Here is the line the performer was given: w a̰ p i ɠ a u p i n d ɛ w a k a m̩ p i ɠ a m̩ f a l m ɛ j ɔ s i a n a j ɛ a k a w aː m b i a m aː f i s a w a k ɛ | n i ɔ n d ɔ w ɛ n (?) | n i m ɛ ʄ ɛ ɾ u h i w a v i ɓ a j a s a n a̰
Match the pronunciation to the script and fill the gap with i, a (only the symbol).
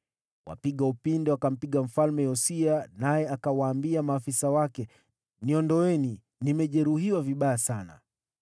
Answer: i